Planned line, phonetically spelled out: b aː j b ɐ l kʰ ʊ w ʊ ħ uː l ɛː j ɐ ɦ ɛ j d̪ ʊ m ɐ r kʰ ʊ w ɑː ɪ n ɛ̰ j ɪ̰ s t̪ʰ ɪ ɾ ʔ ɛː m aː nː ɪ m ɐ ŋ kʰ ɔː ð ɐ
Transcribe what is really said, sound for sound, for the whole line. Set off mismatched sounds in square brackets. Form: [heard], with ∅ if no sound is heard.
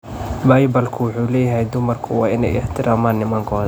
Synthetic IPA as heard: b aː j b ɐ l kʰ ʊ w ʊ ħ uː l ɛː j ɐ ɦ ɛ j d̪ ʊ m ɐ r kʰ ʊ w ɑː ɪ n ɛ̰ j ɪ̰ [ħ] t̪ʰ ɪ ɾ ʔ [aː] m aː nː ɪ m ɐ ŋ kʰ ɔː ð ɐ